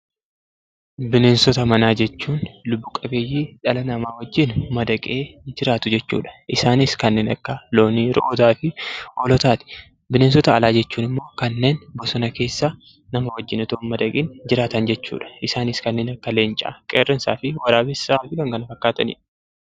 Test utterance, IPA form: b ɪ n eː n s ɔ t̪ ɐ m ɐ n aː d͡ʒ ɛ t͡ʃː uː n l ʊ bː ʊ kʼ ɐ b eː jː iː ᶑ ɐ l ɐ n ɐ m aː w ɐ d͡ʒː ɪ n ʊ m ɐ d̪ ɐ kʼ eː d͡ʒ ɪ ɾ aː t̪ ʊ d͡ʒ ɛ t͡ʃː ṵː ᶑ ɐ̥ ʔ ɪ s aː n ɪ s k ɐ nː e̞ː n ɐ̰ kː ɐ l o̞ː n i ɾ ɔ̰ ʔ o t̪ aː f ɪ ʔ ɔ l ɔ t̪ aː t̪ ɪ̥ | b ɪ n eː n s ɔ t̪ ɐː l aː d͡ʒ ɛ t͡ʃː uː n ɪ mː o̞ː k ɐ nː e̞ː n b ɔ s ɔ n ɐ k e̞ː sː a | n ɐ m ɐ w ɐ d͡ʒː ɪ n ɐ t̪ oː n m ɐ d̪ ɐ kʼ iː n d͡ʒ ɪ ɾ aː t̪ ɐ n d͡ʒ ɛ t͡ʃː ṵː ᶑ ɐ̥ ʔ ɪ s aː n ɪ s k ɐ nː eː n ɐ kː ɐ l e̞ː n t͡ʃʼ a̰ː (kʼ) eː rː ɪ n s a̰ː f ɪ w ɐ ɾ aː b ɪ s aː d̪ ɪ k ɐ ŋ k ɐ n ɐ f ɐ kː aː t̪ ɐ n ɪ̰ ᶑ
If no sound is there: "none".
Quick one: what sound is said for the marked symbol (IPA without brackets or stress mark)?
kʼ